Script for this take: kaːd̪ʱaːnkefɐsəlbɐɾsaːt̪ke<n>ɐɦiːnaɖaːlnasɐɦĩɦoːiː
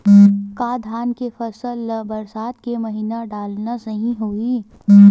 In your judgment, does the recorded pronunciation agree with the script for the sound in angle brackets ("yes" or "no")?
no